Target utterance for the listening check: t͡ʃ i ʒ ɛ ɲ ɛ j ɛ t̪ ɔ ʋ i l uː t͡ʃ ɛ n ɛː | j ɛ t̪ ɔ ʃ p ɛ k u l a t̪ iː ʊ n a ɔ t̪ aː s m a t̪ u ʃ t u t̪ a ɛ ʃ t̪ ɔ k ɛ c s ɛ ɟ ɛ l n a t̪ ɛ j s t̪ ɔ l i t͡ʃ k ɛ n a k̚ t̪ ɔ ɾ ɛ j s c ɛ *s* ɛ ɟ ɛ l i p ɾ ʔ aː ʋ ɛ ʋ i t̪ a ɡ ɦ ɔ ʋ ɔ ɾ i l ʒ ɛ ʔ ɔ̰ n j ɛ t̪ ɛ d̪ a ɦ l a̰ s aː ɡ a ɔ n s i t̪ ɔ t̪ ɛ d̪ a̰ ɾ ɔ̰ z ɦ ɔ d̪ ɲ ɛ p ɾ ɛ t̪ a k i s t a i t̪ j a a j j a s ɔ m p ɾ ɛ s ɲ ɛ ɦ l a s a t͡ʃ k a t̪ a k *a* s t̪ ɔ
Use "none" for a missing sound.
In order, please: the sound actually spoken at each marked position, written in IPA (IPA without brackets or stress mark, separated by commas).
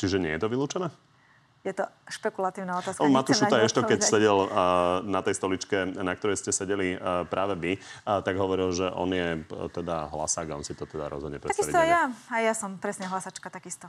s, i